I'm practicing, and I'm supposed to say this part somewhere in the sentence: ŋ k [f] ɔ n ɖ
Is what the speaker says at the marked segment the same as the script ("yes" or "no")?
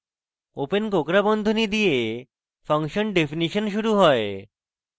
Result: no